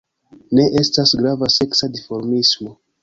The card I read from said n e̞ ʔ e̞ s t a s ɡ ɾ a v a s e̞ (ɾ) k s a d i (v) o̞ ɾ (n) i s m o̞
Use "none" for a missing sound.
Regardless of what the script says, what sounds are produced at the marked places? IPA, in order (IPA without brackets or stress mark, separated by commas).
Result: none, f, m